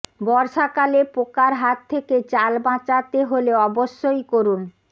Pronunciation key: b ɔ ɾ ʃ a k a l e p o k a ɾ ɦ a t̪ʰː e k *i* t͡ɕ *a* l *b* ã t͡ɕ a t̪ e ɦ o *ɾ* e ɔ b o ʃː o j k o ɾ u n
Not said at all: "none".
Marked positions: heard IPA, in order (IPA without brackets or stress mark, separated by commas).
e, a, b, l